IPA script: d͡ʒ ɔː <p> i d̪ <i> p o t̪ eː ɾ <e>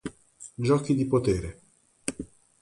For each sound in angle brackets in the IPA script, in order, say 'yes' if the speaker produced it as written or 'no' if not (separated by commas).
no, yes, yes